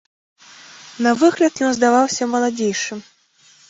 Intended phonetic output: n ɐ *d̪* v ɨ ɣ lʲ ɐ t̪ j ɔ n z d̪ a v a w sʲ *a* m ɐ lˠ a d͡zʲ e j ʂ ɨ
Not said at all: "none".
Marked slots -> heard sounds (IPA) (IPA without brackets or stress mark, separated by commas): none, ɐ